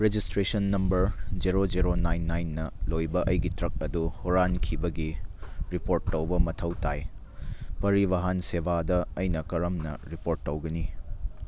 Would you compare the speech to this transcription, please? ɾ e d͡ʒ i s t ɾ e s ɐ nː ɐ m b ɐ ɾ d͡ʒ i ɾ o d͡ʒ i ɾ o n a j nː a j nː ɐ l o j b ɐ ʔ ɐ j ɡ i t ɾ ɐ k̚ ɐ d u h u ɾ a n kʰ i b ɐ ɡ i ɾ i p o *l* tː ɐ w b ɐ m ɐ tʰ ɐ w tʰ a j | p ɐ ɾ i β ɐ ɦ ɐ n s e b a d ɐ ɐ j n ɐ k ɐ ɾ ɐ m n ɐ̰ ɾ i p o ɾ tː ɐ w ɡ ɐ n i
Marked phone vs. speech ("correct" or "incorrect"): incorrect